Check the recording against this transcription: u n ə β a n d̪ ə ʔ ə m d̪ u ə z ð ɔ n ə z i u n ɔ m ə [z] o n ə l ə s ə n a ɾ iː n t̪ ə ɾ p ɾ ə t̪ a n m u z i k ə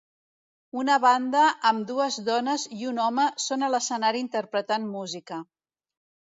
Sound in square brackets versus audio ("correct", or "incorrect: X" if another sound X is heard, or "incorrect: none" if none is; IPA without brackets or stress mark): incorrect: s